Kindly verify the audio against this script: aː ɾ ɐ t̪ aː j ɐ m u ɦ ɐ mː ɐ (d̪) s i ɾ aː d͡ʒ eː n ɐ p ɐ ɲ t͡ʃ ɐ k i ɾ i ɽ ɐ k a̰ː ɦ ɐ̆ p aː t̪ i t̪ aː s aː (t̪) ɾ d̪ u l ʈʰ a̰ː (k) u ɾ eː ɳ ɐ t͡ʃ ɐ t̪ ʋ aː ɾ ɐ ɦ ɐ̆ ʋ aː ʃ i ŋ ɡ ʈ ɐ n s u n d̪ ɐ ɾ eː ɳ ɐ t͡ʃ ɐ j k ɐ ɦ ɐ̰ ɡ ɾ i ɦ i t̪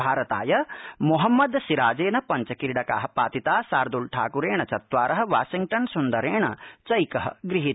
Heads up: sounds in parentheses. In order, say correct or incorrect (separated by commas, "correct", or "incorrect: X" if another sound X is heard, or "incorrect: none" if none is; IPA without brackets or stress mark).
correct, incorrect: none, correct